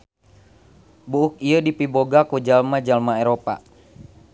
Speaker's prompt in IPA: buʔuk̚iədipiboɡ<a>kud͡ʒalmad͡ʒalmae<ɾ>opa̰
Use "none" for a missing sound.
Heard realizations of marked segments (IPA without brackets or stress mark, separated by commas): a, ɾ